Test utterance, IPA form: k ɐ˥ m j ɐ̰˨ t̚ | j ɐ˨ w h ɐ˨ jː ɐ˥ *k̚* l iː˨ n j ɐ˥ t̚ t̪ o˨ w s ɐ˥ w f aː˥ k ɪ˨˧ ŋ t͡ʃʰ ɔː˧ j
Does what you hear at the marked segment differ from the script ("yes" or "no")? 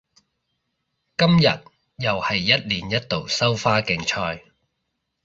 yes